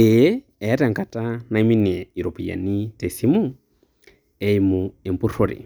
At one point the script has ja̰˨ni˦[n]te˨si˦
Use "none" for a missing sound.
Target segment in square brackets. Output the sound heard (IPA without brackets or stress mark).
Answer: none